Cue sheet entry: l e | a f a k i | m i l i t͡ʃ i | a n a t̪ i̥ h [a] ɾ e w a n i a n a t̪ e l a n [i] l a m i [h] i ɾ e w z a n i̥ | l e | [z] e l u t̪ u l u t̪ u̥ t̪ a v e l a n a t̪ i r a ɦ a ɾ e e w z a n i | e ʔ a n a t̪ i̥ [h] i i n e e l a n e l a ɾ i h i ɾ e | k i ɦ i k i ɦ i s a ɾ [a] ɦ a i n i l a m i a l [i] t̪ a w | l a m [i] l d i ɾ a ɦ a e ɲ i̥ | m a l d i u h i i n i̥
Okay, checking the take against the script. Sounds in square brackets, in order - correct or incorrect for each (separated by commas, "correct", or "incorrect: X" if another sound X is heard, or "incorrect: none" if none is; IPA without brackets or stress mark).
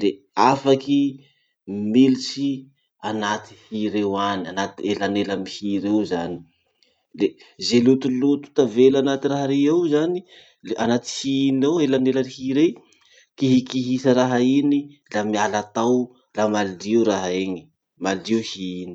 incorrect: i, incorrect: e, correct, correct, correct, correct, incorrect: a, incorrect: a